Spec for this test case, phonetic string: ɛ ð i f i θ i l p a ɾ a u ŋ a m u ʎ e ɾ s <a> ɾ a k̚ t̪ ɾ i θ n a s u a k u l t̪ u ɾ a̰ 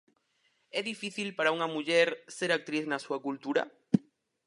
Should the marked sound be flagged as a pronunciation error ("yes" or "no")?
yes